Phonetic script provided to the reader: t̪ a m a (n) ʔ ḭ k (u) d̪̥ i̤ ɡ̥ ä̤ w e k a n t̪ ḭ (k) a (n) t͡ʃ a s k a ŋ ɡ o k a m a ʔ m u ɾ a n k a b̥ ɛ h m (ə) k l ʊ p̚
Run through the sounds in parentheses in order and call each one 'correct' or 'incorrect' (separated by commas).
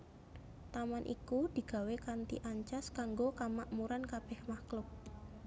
correct, correct, incorrect, incorrect, incorrect